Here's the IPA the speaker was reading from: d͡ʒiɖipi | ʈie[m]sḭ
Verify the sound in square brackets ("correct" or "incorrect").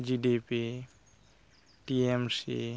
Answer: correct